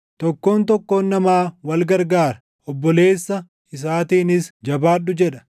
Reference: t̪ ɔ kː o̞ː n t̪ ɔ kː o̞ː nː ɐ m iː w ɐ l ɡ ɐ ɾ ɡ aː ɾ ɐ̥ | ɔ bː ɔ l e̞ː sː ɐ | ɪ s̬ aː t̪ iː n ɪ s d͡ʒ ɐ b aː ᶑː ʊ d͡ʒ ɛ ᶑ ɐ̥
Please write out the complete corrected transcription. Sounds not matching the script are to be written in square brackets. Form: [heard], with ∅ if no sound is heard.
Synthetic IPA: t̪ ɔ kː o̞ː n t̪ ɔ kː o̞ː nː ɐ m [aː] w ɐ l ɡ ɐ ɾ ɡ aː ɾ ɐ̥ | ɔ bː ɔ l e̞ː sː ɐ | ɪ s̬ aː t̪ iː n ɪ s d͡ʒ ɐ b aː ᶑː ʊ d͡ʒ ɛ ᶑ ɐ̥